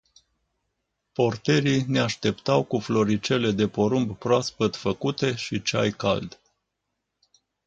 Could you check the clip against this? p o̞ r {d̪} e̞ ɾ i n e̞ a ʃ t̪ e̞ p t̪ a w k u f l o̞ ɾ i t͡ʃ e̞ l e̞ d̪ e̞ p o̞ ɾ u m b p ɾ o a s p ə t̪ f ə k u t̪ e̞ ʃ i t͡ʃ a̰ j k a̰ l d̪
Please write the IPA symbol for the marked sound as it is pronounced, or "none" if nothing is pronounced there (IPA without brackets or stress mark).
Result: t̪